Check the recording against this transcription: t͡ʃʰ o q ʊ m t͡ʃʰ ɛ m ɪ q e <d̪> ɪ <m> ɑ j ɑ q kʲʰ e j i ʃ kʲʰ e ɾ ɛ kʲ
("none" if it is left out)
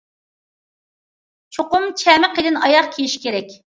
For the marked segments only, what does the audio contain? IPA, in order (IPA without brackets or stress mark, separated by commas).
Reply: d̪, n